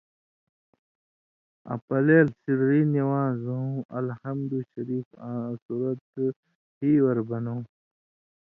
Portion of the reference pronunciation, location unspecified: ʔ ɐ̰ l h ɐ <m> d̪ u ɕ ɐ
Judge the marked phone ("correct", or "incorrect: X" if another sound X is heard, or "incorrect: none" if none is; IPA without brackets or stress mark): correct